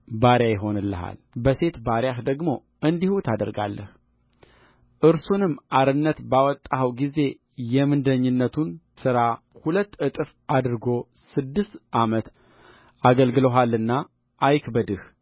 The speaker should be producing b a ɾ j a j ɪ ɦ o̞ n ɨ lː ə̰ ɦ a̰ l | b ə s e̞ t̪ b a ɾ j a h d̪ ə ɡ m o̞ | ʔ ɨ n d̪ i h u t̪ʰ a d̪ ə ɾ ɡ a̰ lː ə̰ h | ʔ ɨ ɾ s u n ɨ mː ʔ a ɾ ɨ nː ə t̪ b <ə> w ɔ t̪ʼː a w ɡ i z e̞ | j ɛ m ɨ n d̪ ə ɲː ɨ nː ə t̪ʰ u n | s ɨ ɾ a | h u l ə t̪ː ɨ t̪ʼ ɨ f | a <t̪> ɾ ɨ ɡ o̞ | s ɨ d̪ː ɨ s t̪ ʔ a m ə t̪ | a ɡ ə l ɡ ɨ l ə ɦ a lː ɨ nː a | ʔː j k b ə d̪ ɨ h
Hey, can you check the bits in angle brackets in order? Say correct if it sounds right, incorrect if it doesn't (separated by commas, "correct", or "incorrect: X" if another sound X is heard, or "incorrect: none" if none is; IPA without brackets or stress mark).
incorrect: a, incorrect: d̪